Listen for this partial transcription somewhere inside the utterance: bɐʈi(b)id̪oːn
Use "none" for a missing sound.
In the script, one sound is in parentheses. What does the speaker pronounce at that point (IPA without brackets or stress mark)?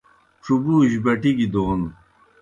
ɡ